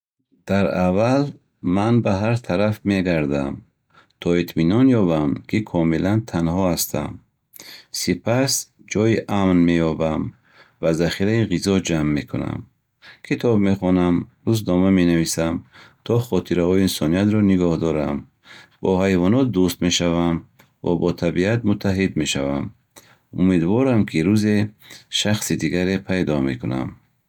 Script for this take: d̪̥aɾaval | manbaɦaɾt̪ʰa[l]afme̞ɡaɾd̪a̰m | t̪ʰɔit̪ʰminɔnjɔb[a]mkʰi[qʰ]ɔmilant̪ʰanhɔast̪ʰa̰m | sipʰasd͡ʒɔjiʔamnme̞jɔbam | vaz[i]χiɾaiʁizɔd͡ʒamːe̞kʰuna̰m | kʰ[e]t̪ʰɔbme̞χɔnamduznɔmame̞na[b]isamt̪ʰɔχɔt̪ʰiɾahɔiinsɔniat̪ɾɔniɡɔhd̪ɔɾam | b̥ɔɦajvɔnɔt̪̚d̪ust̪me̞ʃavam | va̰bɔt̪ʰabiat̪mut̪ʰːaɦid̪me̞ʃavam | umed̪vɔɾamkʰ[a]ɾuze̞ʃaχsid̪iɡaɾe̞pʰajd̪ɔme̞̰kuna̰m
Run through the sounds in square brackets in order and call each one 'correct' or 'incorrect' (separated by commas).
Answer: incorrect, correct, incorrect, incorrect, incorrect, incorrect, incorrect